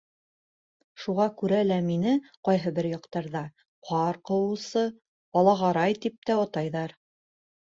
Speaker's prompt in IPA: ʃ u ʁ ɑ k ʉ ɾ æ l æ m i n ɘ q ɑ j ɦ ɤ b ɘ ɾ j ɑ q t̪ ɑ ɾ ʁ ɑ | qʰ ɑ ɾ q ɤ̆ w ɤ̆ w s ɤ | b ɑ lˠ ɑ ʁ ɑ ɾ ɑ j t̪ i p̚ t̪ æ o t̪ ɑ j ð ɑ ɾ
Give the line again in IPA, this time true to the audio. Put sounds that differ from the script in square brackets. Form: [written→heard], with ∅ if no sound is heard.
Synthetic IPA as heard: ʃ u ʁ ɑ k ʉ ɾ æ l æ m i n ɘ q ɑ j ɦ ɤ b ɘ ɾ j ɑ q t̪ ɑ ɾ [ʁ→ð] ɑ | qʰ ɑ ɾ q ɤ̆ w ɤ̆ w s ɤ | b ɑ lˠ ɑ ʁ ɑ ɾ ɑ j t̪ i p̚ t̪ æ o t̪ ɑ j ð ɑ ɾ